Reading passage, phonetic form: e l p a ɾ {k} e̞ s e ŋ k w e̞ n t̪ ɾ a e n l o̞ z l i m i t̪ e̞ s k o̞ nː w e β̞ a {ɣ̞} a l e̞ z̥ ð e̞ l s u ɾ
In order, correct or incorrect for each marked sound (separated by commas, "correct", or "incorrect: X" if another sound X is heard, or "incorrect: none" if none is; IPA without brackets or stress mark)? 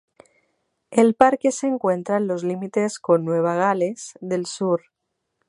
correct, correct